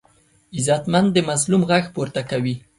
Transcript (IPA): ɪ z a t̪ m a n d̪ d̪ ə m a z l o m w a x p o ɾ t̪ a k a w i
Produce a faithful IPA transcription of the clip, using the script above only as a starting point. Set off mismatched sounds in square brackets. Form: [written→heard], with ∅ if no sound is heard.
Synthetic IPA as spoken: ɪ z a t̪ m a n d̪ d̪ ə m a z l [o→u] m [w→ɣ] a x p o ɾ t̪ a k a w i